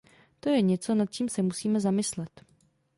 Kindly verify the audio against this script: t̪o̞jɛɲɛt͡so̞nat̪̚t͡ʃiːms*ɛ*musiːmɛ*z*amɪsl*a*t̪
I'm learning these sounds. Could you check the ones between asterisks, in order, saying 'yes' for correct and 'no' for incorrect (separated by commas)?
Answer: yes, yes, no